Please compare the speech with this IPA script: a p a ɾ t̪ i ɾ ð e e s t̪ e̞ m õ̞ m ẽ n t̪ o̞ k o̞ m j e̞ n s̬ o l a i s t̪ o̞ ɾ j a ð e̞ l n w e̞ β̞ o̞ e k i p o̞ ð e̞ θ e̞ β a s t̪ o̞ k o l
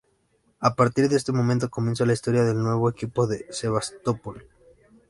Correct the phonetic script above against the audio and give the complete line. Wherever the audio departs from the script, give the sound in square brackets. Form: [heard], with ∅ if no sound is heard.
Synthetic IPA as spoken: a p a ɾ t̪ i ɾ ð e e s t̪ e̞ m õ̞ m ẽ n t̪ o̞ k o̞ m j e̞ n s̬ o l a i s t̪ o̞ ɾ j a ð e̞ l n w e̞ β̞ o̞ e k i p o̞ ð e̞ [s] e̞ β a s t̪ o̞ [p] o l